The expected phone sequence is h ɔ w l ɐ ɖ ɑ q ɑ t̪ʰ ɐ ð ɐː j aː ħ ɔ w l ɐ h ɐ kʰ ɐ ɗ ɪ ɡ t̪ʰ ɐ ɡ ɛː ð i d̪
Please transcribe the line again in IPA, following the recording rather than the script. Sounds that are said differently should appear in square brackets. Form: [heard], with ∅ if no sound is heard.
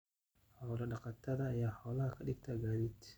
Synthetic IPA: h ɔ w l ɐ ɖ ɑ q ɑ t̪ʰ ɐ ð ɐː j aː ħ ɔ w l ɐ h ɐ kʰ ɐ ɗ ɪ ɡ t̪ʰ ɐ ɡ [aː] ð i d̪